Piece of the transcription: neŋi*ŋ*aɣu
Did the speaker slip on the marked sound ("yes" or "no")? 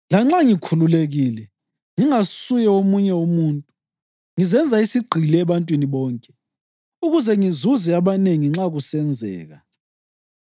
yes